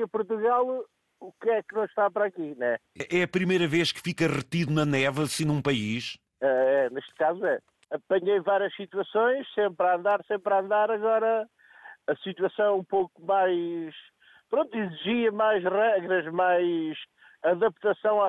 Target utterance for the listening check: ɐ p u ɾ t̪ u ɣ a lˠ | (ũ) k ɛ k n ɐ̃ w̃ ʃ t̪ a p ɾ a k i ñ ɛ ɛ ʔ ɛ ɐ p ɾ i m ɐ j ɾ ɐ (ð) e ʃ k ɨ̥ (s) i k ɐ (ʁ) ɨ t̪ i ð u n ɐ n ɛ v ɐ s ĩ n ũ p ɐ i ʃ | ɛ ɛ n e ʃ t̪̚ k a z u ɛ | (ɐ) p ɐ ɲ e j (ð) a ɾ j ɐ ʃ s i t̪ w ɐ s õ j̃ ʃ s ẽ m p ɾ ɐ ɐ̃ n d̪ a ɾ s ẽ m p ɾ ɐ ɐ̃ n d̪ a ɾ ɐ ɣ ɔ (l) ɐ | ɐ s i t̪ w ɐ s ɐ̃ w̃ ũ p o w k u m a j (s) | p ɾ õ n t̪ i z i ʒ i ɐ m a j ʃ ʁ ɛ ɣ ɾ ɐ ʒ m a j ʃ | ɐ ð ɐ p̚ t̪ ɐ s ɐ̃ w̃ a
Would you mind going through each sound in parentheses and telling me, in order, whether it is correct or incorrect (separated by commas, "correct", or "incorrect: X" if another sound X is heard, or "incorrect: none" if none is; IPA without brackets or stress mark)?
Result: incorrect: u, incorrect: v, incorrect: f, correct, correct, incorrect: v, incorrect: ɾ, incorrect: ʃ